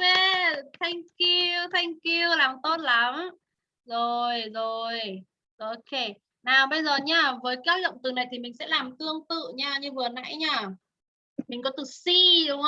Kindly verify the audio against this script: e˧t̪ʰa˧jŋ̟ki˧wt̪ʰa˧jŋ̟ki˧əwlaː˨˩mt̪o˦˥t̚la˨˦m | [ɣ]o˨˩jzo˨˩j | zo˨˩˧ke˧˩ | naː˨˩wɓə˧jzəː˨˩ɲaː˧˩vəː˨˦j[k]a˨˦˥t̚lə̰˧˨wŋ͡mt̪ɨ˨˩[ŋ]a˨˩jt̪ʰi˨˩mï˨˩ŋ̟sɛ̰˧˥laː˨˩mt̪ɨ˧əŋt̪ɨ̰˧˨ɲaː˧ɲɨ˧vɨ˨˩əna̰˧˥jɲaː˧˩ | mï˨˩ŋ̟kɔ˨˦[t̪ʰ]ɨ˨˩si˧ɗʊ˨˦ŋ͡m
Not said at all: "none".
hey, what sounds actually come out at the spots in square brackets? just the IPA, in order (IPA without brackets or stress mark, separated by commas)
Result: z, k, n, t̪